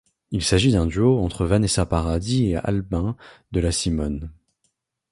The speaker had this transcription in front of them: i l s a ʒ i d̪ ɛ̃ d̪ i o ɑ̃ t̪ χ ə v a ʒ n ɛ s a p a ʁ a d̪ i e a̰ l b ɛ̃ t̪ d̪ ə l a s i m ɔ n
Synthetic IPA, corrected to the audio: i l s a ʒ i d̪ ɛ̃ d̪ y o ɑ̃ t̪ χ ə v a n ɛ s a p a ʁ a d̪ i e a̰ l b ɛ̃ d̪ ə l a s i m ɔ n